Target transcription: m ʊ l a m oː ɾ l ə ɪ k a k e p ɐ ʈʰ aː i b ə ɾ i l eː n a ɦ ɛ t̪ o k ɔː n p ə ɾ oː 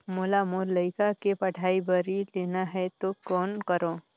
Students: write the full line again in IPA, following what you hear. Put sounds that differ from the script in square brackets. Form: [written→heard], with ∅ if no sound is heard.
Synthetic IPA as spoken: m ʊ l a m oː ɾ l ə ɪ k a k e p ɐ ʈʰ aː i b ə ɾ i l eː n a ɦ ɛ t̪ o k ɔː n [p→k] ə ɾ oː